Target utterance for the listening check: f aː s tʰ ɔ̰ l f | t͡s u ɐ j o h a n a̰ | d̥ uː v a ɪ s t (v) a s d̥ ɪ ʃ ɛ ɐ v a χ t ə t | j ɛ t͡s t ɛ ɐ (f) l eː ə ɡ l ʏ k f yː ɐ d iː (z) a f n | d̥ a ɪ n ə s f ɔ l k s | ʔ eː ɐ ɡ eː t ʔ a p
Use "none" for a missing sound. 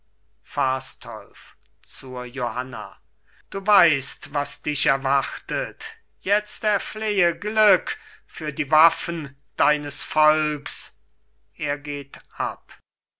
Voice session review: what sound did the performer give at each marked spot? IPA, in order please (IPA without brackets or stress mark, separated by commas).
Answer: v, f, v